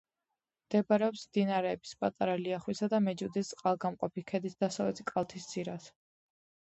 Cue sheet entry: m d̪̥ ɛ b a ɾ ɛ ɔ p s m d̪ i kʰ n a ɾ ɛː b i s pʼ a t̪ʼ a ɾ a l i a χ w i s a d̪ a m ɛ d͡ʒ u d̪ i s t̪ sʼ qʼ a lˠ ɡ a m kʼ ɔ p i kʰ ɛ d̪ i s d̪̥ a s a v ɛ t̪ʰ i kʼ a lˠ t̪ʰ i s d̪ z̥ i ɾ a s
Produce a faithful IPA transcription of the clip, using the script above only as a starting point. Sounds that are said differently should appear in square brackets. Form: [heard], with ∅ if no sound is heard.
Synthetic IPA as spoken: m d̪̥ ɛ b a ɾ ɛ ɔ p s m d̪ i [∅] n a ɾ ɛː b i s pʼ a t̪ʼ a ɾ a l i a χ w i s a d̪ a m ɛ d͡ʒ u d̪ i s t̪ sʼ qʼ a lˠ ɡ a m [qʼ] ɔ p i kʰ ɛ d̪ i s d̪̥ a s a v ɛ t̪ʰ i kʼ a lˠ t̪ʰ i s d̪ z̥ i ɾ a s